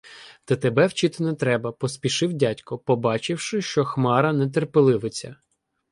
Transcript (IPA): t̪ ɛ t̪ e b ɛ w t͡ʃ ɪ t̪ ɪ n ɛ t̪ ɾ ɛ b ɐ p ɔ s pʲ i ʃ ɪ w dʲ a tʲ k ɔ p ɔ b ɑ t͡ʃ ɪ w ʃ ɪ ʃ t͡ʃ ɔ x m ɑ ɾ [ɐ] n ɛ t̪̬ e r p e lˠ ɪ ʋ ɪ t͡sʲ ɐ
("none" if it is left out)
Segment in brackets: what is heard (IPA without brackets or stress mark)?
ɐ